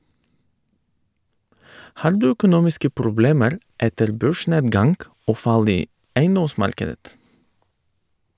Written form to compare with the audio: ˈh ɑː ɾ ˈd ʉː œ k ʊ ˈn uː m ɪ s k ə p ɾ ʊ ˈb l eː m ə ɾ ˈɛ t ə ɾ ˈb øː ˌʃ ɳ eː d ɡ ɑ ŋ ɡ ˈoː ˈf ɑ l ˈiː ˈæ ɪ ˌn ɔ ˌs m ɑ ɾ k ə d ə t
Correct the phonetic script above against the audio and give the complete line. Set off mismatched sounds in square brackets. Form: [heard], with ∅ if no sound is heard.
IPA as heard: ˈh ɑː ɾ ˈd ʉː œ k ʊ ˈn uː m ɪ s k ə p ɾ ʊ ˈb l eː m ə ɾ ˈɛ t ə ɾ ˈb øː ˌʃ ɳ eː d ɡ ɑ ŋ ɡ ˈoː ˈf ɑ l ˈiː ˈæ ɪ ˌn ɔ ˌs m ɑ ɾ k ə d ə t